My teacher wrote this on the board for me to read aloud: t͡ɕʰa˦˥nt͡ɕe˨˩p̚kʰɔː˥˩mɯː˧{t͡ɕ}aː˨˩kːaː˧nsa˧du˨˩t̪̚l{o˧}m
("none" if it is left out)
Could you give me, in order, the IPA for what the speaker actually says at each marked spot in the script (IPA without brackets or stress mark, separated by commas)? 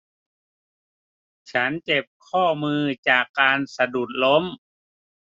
t͡ɕ, o˦˥